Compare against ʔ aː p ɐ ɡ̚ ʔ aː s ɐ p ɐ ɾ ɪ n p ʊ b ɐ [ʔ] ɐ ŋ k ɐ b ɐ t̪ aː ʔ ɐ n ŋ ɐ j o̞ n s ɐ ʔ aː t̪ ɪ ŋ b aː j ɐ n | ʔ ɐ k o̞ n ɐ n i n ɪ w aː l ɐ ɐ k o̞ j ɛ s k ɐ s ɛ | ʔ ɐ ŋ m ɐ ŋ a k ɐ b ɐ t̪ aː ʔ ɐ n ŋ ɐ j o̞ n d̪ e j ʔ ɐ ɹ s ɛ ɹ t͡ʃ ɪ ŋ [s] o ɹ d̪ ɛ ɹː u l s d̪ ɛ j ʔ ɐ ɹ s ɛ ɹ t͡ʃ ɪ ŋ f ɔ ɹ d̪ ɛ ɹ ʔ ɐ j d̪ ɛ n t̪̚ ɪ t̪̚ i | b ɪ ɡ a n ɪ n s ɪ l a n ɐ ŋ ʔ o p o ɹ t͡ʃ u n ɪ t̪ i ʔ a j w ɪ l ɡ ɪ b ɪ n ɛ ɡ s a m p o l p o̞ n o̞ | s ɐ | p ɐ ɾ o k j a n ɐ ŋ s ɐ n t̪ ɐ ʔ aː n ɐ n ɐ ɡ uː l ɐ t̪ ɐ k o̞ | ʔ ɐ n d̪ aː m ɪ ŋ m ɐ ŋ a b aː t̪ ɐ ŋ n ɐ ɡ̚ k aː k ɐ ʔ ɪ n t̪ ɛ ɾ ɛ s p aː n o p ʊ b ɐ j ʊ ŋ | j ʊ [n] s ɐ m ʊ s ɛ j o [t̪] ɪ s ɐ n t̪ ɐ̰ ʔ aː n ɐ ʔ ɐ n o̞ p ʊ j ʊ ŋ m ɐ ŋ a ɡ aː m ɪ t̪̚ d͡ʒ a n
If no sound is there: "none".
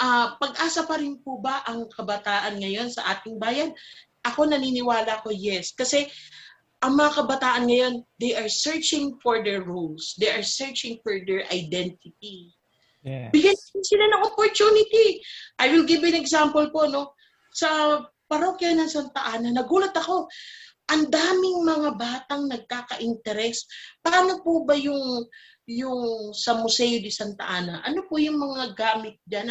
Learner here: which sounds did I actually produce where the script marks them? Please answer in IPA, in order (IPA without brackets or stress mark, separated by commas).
ʔ, f, ŋ, d̪